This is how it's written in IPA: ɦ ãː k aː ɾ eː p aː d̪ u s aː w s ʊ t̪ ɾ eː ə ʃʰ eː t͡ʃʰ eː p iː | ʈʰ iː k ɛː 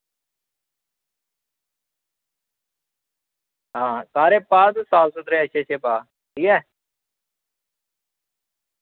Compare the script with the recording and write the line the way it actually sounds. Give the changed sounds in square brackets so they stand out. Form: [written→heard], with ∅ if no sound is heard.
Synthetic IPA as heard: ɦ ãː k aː ɾ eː p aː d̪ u s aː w s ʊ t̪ ɾ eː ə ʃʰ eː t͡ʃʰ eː p [iː→aː] | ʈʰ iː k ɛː